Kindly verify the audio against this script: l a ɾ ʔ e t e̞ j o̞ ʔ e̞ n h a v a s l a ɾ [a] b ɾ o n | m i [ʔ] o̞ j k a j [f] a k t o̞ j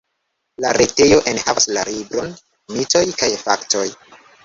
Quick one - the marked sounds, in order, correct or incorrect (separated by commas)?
incorrect, incorrect, correct